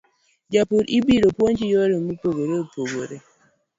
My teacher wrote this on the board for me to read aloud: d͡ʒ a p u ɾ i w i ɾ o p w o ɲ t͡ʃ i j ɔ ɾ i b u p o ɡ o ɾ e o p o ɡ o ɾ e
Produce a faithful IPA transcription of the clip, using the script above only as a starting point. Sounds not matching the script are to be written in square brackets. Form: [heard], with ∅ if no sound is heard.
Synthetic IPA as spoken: d͡ʒ a p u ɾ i [b] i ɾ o p w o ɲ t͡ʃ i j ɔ ɾ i [m] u p o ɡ o ɾ e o p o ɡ o ɾ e